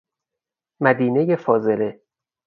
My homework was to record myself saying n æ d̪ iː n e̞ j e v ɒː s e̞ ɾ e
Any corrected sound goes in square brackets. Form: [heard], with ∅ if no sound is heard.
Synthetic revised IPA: [m] æ d̪ iː n e̞ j e [f] ɒː [z] e̞ [l] e